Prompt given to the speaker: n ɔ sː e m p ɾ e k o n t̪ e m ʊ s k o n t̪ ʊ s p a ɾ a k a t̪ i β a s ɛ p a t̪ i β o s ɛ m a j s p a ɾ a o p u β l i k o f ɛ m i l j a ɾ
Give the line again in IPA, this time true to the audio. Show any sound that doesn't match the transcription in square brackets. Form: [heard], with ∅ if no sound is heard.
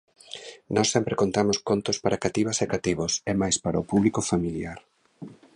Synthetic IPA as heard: n ɔ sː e m p ɾ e k o n t̪ [a] m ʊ s k o n t̪ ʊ s p a ɾ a k a t̪ i β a s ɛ [k] a t̪ i β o s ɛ m a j s p a ɾ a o p u β l i k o f [a] m i l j a ɾ